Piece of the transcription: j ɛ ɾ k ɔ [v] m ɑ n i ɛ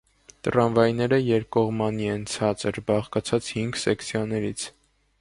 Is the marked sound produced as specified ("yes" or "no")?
no